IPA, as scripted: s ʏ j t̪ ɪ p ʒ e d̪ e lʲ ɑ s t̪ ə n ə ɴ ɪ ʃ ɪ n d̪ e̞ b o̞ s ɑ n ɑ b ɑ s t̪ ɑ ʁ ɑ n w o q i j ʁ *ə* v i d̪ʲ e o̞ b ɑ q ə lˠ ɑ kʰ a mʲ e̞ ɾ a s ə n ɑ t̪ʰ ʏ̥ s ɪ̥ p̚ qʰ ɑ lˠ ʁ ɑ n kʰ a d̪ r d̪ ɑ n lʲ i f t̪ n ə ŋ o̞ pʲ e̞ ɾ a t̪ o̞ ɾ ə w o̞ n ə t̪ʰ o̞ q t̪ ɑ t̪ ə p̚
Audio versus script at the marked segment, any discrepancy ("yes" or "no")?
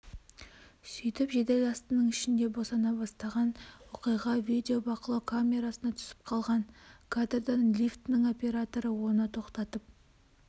yes